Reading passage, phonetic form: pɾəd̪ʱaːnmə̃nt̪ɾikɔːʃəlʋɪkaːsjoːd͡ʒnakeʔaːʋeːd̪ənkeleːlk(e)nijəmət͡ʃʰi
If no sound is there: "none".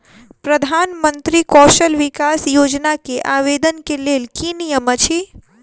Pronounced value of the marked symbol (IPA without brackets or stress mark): i